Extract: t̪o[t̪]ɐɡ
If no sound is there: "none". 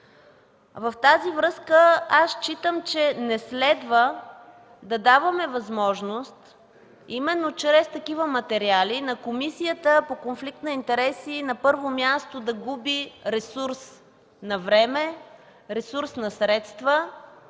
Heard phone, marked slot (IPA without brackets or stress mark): d̪